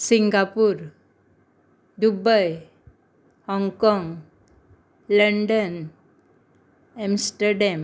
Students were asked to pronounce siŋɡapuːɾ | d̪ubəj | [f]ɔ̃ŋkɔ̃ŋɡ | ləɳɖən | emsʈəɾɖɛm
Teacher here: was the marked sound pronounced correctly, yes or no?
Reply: no